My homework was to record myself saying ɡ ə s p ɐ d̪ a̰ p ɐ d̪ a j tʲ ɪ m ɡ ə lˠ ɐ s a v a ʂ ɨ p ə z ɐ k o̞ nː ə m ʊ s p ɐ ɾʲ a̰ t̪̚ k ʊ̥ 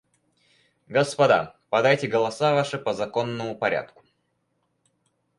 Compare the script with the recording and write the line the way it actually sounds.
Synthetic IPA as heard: ɡ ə s p ɐ d̪ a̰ p ɐ d̪ a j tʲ ɪ ɡ ə lˠ ɐ s a v a ʂ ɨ p ə z ɐ k o̞ nː ə m ʊ p ɐ ɾʲ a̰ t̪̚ k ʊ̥